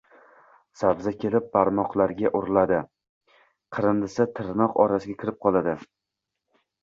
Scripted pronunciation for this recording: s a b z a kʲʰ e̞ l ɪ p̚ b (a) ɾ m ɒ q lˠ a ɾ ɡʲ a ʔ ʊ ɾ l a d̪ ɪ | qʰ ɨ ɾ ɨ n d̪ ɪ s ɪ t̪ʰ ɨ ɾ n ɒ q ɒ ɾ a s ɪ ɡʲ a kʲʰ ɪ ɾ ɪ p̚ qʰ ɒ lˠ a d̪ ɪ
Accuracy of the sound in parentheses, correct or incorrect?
correct